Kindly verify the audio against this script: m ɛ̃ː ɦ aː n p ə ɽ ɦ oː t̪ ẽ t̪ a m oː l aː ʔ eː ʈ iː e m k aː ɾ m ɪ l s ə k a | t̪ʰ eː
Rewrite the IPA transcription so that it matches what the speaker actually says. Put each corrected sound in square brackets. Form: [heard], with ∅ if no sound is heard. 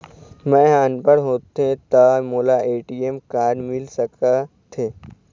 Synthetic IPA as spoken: m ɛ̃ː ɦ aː n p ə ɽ ɦ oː t̪ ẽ t̪ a m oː l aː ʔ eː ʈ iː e m k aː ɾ m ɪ l s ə k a | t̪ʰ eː